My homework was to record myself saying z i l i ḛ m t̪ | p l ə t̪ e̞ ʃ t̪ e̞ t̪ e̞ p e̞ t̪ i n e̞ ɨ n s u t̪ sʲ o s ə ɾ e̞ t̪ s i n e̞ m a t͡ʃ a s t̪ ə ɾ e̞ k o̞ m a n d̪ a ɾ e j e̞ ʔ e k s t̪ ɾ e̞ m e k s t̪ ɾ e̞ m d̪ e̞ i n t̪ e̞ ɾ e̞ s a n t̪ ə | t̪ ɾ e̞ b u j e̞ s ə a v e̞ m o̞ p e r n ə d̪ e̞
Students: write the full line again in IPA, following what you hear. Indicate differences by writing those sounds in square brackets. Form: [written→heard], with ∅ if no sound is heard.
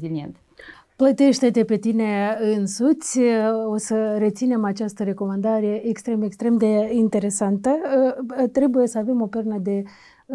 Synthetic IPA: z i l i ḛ [m→n] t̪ | p l ə t̪ e̞ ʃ t̪ e̞ t̪ e̞ p e̞ t̪ i n e̞ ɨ n s u t̪ sʲ o s ə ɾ e̞ t̪ s i n e̞ m a t͡ʃ a s t̪ ə ɾ e̞ k o̞ m a n d̪ a ɾ e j e̞ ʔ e k s t̪ ɾ e̞ m e k s t̪ ɾ e̞ m d̪ e̞ i n t̪ e̞ ɾ e̞ s a n t̪ ə | t̪ ɾ e̞ b u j e̞ s ə a v e̞ m o̞ p e r n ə d̪ e̞